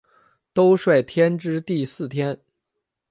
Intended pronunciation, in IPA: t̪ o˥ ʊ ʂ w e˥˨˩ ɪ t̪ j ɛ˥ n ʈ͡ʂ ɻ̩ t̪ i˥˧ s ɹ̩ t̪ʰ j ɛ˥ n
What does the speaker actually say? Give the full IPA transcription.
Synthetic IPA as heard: t̪ o˥ ʊ ʂ w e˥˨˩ ɪ t̪ʰ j ɛ˥ n ʈ͡ʂ ɻ̩ t̪ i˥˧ s ɹ̩ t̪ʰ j ɛ˥ n